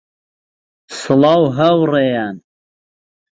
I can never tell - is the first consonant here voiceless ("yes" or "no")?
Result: yes